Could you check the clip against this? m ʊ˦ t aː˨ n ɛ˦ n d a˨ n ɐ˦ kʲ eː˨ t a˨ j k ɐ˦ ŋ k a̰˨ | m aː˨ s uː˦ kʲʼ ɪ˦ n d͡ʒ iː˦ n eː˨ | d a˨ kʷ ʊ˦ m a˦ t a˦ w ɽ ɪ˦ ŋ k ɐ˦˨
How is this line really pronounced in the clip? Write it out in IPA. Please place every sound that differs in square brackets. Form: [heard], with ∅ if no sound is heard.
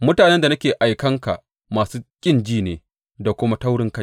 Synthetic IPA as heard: m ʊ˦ t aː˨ n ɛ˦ n d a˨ n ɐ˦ kʲ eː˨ [ʔ] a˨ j k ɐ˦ ŋ k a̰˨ | m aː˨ s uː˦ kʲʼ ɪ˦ n d͡ʒ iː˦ n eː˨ | d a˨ kʷ ʊ˦ m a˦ t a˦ w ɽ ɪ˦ ŋ k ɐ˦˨